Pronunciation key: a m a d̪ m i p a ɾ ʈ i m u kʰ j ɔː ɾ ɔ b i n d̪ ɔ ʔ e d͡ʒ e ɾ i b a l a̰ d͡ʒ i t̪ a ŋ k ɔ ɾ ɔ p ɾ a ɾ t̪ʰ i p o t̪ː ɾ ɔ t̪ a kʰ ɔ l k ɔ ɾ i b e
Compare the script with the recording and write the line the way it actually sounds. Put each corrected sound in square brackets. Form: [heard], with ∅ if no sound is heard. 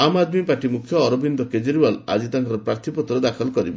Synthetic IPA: a m a d̪ m i p a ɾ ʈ i m u kʰ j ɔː ɾ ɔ b i n d̪ ɔ [k] e d͡ʒ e ɾ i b a l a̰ d͡ʒ i t̪ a ŋ k ɔ ɾ ɔ p ɾ a ɾ t̪ʰ i p [ɔ] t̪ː ɾ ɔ [d̪] a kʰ ɔ l k ɔ ɾ i b e